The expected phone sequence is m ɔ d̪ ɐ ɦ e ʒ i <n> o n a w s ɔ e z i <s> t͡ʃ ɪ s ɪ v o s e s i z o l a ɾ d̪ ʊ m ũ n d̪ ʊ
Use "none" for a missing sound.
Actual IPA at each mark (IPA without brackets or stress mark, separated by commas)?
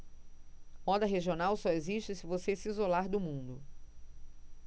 none, ʃ